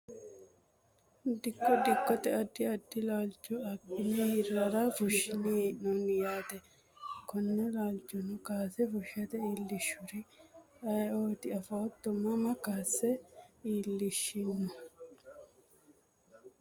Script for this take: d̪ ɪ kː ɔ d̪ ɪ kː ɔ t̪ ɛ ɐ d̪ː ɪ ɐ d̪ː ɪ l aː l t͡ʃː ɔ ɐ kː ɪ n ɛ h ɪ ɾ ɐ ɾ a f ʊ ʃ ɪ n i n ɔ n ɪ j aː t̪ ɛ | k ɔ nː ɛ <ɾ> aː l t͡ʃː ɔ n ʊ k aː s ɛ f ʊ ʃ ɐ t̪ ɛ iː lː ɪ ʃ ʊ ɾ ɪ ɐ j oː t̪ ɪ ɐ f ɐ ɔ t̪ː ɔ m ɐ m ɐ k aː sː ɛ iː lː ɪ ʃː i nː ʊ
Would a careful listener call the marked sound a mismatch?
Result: yes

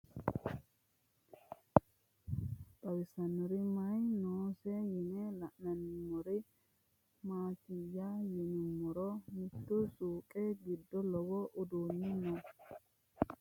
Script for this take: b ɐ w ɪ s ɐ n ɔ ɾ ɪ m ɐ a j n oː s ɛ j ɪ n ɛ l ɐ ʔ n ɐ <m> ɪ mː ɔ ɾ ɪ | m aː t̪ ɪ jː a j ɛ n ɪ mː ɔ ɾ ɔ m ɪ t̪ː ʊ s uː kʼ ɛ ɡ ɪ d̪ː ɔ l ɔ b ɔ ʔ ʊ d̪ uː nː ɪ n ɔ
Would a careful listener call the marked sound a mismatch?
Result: yes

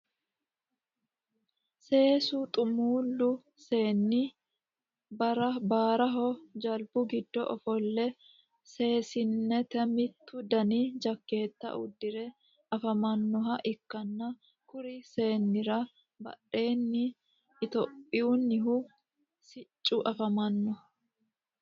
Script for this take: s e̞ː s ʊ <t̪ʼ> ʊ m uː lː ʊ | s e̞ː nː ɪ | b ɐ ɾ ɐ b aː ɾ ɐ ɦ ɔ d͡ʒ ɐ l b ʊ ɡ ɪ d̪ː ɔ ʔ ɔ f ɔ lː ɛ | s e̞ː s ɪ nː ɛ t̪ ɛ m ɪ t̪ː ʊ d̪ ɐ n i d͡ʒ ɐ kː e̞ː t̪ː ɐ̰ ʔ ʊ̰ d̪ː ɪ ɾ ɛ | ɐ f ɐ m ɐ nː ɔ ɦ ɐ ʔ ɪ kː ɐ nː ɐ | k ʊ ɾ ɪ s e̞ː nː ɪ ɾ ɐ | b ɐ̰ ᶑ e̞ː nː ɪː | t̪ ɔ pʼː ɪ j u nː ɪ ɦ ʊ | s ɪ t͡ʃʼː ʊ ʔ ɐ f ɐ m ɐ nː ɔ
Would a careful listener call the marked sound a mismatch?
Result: no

